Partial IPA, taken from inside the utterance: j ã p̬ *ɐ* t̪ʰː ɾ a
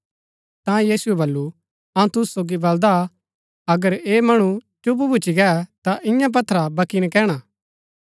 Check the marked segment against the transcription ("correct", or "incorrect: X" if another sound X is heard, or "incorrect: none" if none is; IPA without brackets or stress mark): correct